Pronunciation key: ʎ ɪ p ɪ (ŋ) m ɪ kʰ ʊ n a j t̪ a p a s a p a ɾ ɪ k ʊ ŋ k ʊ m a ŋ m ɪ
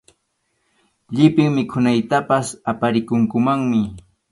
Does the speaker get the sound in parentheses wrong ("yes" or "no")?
no